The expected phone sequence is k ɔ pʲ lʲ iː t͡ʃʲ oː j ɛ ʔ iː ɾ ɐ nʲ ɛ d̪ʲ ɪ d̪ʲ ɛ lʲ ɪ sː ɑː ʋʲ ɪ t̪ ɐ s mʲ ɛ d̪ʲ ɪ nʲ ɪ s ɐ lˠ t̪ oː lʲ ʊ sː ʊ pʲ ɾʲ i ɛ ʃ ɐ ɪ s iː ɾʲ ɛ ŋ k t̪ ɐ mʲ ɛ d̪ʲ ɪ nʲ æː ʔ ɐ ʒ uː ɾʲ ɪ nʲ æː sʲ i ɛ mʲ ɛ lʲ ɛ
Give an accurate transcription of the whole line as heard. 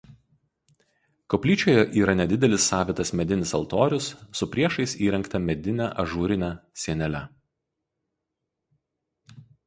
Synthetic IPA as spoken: k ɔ pʲ lʲ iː t͡ʃʲ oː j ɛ ʔ iː ɾ ɐ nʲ ɛ d̪ʲ ɪ d̪ʲ ɛ lʲ ɪ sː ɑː ʋʲ ɪ t̪ ɐ s mʲ ɛ d̪ʲ ɪ nʲ ɪ s ɐ lˠ t̪ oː ɾʲ ʊ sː ʊ pʲ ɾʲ i ɛ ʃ ɐ ɪ s iː ɾʲ ɛ ŋ k t̪ ɐ mʲ ɛ d̪ʲ ɪ nʲ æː ʔ ɐ ʒ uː ɾʲ ɪ nʲ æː sʲ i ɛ nʲ ɛ lʲ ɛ